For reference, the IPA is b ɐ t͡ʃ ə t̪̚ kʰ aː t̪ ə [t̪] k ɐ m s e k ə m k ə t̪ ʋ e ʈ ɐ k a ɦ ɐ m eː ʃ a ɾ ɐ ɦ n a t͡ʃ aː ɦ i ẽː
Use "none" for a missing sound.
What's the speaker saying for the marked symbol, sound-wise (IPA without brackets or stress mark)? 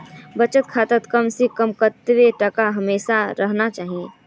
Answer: t̪